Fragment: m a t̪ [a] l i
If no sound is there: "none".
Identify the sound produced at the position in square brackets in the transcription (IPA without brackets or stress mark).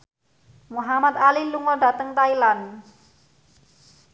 a